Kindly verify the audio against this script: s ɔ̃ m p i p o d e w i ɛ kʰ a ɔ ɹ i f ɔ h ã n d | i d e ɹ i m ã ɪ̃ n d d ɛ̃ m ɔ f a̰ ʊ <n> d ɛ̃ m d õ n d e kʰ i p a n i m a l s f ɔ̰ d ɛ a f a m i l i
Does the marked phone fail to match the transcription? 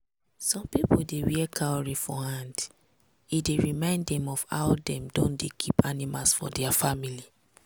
yes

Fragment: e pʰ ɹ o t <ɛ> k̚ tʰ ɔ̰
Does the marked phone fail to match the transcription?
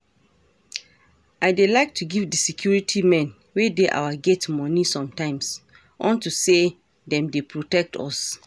no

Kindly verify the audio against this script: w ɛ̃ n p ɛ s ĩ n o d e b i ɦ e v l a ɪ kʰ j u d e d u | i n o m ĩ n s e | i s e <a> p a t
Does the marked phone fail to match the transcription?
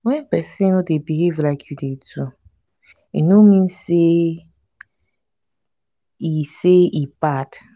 yes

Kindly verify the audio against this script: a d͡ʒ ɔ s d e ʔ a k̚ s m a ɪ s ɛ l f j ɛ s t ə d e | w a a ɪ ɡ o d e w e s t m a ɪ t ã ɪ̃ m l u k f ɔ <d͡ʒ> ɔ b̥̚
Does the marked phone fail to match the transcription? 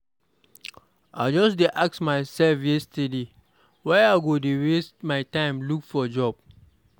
no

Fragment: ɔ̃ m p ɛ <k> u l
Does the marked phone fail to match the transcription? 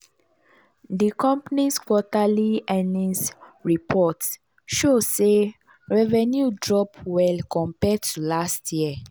yes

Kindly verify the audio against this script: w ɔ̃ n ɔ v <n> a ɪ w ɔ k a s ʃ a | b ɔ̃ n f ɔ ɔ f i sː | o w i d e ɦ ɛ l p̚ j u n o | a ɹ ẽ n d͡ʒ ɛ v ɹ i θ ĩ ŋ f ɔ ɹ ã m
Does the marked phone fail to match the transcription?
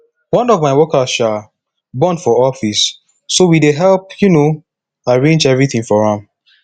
yes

